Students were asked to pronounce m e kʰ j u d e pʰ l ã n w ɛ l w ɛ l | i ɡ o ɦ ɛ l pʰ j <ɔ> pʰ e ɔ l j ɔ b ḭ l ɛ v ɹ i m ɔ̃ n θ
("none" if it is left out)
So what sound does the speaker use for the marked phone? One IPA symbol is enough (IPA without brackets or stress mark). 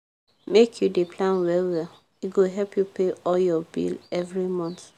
u